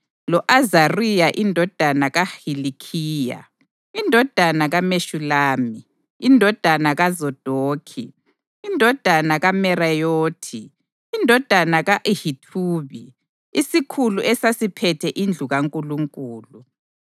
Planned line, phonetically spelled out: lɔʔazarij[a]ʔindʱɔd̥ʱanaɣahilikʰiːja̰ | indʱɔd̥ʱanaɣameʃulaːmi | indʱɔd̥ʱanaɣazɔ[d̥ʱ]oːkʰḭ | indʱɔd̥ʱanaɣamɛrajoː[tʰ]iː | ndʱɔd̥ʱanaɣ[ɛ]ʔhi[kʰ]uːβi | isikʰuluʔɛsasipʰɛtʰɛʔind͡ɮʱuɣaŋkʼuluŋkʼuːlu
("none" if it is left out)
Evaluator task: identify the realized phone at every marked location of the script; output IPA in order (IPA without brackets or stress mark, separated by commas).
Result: a, d̥ʱ, tʰ, a, tʰ